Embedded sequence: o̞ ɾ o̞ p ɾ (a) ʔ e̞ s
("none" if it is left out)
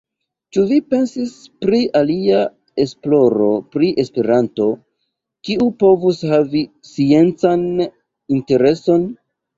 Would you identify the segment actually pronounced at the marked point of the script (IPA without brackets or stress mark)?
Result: i